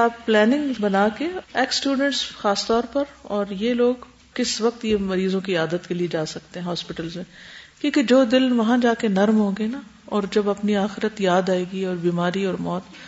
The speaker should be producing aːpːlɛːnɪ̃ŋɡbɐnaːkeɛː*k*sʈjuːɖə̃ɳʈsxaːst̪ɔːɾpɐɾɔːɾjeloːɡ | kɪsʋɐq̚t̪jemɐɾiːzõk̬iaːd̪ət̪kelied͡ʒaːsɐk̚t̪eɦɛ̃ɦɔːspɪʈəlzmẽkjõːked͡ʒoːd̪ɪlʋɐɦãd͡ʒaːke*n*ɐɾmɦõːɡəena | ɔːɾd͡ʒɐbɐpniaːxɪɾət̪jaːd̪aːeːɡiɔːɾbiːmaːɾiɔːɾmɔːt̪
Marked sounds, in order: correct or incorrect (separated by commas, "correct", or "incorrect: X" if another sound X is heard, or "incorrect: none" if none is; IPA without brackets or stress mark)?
correct, correct